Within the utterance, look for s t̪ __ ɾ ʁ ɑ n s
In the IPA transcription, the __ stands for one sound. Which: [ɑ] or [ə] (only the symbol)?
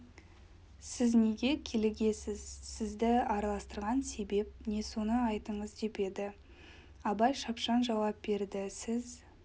ə